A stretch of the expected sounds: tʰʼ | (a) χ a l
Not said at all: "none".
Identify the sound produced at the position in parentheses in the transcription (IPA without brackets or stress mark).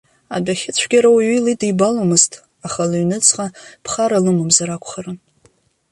a